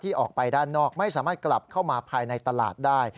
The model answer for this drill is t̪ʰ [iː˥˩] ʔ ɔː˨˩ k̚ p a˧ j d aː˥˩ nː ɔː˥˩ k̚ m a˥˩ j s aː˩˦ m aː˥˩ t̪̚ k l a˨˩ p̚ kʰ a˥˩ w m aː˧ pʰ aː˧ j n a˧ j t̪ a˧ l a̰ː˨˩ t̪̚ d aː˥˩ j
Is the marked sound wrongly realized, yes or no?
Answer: no